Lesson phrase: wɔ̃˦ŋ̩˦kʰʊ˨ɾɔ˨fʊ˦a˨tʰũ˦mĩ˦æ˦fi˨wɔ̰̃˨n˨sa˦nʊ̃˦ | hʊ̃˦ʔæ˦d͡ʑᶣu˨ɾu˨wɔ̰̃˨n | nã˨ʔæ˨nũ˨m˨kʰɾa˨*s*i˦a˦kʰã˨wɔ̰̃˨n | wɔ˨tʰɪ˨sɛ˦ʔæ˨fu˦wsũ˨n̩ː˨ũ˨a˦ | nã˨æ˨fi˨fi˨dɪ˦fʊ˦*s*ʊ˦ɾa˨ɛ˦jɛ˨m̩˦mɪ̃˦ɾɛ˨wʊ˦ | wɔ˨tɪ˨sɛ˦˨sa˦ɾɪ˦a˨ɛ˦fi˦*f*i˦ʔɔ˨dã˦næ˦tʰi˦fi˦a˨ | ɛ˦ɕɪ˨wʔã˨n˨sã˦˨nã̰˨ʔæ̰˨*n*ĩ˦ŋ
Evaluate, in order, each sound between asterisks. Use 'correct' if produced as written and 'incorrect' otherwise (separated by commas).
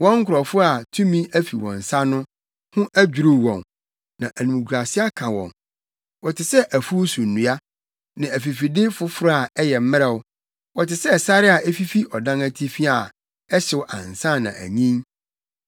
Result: correct, incorrect, correct, incorrect